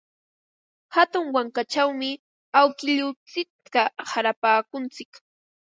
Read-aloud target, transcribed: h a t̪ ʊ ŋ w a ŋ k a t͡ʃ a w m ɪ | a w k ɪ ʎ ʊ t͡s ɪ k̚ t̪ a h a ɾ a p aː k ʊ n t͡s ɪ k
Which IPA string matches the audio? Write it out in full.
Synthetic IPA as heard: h a t̪ ʊ ŋ w a ŋ k a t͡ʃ a w m ɪ | a w k ɪ ʎ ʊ t͡s ɪ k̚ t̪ a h a ɾ a p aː k ʊ n t͡s ɪ k